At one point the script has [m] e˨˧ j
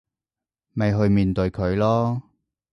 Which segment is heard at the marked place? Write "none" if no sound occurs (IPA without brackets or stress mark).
m